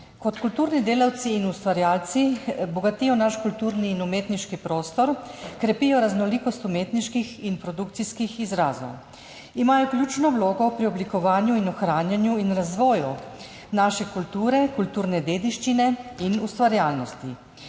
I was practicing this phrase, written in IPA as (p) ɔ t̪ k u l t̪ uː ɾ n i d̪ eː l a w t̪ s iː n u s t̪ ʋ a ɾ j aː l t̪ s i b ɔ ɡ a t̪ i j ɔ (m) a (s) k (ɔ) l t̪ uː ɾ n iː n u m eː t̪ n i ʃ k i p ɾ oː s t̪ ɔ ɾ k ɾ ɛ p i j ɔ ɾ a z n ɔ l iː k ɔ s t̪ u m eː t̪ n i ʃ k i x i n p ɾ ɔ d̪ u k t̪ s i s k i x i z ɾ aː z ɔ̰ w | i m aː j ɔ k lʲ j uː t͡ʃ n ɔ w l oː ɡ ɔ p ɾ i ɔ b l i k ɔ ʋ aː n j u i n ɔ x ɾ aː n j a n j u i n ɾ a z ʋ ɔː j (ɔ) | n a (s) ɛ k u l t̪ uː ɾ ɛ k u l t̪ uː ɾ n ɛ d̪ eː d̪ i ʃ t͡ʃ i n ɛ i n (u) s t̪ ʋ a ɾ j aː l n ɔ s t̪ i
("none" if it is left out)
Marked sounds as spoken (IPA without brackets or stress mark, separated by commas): k, n, ʃ, u, u, ʃ, u